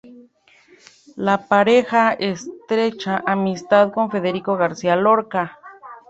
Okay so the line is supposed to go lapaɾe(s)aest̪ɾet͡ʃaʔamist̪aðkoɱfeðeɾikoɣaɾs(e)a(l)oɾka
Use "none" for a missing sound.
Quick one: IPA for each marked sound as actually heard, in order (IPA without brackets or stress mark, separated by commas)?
x, i, l